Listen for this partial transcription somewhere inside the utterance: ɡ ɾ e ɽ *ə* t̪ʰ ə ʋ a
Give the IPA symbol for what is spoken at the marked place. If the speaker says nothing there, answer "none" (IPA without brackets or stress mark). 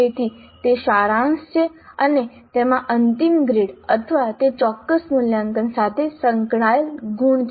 ə